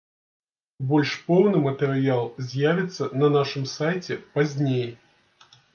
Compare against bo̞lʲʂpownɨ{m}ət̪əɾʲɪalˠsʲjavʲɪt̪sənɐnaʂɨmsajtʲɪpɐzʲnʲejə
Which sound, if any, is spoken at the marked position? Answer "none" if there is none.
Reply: m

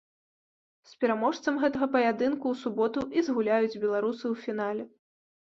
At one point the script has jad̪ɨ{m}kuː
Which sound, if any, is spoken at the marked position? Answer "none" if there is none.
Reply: n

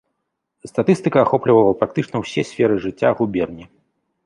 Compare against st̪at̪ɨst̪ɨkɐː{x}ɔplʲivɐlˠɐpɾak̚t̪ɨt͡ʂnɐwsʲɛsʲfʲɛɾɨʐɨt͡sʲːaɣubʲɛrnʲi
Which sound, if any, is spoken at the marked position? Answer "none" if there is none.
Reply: x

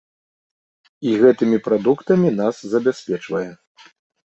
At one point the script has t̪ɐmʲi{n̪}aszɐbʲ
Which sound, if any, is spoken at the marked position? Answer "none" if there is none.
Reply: n̪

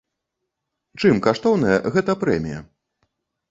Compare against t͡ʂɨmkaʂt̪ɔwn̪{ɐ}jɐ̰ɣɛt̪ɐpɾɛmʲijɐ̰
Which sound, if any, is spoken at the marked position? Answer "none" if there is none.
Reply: ɐ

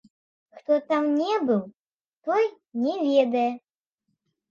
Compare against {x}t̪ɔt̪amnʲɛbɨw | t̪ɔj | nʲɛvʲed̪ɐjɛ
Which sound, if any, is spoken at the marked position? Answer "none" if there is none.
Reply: x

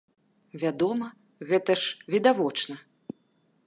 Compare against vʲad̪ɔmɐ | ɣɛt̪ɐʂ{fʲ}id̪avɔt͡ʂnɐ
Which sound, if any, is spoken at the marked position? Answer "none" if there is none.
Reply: vʲ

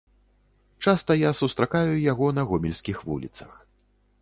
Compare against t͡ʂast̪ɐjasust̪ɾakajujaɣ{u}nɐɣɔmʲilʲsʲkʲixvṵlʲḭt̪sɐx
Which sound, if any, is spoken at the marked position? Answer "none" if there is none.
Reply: ɔ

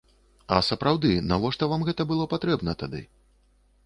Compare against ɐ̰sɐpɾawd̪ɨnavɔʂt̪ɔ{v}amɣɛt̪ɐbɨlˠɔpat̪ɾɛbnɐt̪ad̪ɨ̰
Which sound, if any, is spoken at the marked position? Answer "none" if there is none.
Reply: v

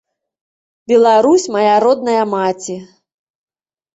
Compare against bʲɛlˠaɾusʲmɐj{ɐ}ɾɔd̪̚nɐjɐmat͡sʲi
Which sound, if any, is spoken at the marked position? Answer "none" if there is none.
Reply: a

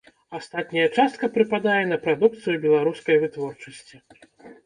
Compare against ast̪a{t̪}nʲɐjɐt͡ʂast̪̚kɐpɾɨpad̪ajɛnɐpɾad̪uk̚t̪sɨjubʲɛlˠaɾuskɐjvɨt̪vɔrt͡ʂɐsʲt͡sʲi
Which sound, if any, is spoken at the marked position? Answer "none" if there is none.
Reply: t̪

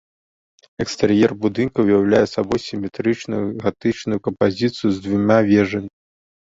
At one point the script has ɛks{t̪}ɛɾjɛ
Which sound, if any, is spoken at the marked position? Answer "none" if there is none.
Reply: t̪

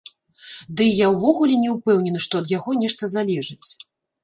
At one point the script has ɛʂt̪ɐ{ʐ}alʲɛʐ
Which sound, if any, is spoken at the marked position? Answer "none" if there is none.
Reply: z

